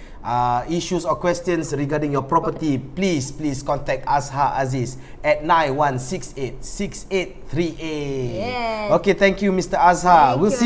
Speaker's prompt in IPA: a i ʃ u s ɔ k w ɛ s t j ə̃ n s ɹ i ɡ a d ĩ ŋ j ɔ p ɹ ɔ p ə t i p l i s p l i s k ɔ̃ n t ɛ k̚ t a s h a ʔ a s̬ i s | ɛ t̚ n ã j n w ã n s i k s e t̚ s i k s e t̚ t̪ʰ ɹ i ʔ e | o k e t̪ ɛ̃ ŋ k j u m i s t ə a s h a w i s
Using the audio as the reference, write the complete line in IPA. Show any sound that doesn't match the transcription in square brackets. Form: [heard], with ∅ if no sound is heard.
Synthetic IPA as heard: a i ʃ u s ɔ k w ɛ s t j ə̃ n s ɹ i ɡ a d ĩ ŋ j ɔ p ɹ ɔ p ə t i p l i s p l i s k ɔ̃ n t ɛ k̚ t a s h a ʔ a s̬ i s | ɛ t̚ n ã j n w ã n s i k s e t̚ s i k s e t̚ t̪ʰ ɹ i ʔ e | o k e t̪ ɛ̃ ŋ k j u m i s t ə a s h a w i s